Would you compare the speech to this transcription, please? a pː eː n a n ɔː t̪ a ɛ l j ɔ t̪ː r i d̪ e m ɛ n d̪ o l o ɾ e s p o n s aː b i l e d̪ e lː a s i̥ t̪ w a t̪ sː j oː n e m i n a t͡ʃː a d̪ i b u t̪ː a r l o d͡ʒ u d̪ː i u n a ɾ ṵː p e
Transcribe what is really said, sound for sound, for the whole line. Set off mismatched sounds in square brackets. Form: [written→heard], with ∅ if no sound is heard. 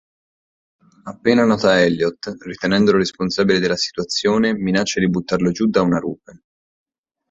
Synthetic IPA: a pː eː n a n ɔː t̪ a ɛ l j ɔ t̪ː r i [d̪→t̪] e [m→n] ɛ n d̪ o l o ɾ e s p o n s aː b i l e d̪ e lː a s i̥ t̪ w a t̪ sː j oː n e m i n a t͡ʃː a d̪ i b u t̪ː a r l o d͡ʒ u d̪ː [i→a] u n a ɾ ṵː p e